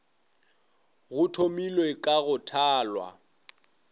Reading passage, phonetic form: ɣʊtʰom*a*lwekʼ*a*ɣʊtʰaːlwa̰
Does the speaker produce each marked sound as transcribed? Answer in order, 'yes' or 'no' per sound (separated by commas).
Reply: no, yes